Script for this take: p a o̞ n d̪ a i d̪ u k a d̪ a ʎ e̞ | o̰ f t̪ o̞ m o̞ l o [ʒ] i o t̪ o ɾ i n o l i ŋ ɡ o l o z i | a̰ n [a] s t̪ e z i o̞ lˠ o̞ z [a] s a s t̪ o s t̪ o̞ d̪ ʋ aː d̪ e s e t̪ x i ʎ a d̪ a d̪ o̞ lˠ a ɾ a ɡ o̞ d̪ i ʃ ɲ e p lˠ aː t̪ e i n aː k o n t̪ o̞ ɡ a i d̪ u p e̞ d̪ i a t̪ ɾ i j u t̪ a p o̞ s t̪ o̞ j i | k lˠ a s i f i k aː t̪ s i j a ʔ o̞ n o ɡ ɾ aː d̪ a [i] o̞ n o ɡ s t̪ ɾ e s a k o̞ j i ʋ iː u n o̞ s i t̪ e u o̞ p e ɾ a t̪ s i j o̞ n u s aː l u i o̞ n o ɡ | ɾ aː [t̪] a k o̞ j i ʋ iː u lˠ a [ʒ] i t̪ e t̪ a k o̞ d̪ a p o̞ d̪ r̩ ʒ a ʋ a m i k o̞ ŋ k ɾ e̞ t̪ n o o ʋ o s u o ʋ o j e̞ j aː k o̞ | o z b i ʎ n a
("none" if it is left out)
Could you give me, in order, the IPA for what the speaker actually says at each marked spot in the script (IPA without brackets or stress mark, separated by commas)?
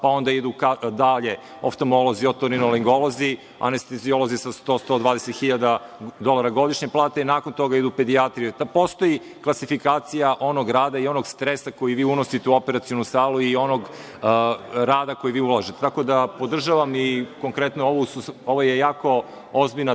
z, e, i, i, d̪, ʒ